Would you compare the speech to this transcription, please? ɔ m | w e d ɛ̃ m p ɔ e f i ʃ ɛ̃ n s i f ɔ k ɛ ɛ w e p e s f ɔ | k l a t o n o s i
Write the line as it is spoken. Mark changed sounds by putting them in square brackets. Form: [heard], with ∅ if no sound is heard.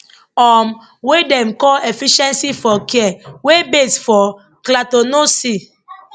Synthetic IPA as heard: ɔ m | w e d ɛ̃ m [k] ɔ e f i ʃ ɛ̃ n s i f ɔ k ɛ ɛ w e [b] e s f ɔ | k l a t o n o s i